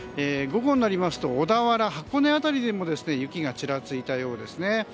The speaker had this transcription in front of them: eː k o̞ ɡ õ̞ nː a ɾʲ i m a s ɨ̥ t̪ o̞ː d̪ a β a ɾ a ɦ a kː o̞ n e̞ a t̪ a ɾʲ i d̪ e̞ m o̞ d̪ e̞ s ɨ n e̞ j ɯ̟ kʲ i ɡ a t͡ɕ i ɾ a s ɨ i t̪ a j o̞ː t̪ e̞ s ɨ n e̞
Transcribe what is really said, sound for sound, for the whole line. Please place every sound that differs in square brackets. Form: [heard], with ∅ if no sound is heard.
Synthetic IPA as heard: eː [ɡ] o̞ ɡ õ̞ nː a ɾʲ i m a s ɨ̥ t̪ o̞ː d̪ a β a ɾ a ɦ a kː o̞ n e̞ a t̪ a ɾʲ i d̪ e̞ m o̞ d̪ e̞ s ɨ n e̞ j ɯ̟ kʲ i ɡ a t͡ɕ i ɾ a [t͡s] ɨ i t̪ a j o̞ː [d̪] e̞ s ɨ n e̞